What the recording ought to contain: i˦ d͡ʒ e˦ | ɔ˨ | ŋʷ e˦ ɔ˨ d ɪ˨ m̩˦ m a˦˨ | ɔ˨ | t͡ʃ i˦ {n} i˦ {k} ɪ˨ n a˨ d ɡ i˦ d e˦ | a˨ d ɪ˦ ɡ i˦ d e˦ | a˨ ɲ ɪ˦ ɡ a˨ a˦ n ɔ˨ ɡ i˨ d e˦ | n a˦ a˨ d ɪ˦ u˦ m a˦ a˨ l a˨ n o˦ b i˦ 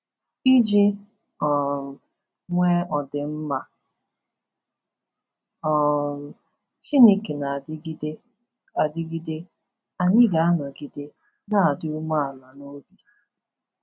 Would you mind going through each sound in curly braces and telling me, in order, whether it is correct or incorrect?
correct, correct

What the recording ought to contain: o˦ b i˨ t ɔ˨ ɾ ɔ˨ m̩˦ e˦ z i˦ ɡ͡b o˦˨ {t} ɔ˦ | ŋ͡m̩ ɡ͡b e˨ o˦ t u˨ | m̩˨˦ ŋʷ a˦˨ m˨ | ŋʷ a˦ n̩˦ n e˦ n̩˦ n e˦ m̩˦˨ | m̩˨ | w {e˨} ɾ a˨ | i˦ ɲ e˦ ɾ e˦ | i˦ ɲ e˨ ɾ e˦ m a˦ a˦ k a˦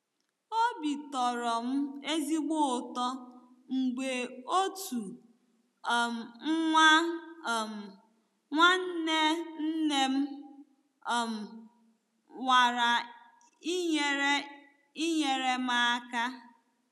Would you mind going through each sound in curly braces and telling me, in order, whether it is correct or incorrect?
correct, incorrect: a˨

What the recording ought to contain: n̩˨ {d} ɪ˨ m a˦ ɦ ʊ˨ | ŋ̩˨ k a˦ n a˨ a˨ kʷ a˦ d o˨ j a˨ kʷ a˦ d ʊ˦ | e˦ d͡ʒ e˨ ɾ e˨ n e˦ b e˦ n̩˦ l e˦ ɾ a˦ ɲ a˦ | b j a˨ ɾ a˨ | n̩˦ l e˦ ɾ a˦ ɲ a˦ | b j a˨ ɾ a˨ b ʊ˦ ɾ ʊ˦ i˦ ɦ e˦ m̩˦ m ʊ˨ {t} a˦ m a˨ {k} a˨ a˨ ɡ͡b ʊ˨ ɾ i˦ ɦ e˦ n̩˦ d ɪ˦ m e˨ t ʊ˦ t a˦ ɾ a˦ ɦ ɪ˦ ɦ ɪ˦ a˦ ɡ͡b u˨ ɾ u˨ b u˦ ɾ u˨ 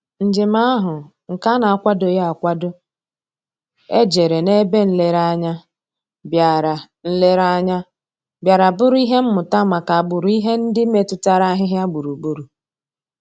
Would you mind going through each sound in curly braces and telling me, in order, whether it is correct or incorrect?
incorrect: d͡ʒ, correct, correct

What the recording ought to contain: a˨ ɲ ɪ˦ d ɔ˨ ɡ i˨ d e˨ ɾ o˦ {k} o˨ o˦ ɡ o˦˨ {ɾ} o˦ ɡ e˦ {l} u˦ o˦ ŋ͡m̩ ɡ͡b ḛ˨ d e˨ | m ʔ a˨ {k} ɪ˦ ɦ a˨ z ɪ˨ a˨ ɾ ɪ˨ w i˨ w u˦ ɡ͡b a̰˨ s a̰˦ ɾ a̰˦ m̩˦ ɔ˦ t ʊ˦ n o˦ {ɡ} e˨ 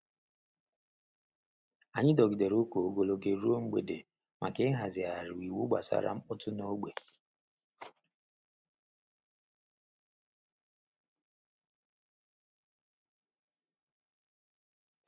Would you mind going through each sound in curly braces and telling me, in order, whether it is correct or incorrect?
correct, incorrect: l, incorrect: ɾ, correct, incorrect: ɡ͡b

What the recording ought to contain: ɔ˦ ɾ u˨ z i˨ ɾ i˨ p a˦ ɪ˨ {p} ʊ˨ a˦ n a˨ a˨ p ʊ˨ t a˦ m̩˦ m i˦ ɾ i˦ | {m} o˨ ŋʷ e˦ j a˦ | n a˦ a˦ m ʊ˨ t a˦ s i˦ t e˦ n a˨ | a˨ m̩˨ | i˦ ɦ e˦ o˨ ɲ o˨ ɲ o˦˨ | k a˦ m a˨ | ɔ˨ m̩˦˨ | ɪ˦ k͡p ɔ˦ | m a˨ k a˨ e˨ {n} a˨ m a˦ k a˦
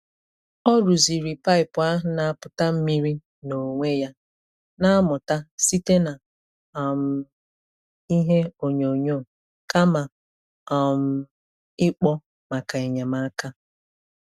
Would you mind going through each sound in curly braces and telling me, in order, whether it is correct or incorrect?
correct, incorrect: n, incorrect: ɲ

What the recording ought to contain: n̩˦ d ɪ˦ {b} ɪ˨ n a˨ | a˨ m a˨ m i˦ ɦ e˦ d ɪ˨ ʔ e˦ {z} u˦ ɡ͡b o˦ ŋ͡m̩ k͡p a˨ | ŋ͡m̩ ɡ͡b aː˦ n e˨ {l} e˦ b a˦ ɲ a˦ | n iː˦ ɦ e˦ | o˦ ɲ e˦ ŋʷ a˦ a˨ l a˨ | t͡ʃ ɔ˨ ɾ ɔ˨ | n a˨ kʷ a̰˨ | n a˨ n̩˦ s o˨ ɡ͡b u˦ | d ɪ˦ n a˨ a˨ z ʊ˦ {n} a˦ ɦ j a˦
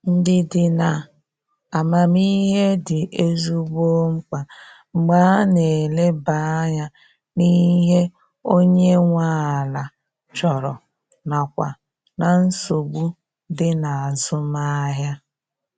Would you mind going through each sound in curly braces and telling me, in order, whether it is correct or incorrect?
incorrect: d, correct, correct, incorrect: m

